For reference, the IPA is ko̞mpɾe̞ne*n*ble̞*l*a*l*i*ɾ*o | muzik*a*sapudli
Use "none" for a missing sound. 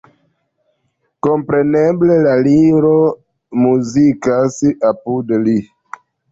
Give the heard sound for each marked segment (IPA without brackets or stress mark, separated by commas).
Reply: none, l, l, ɾ, a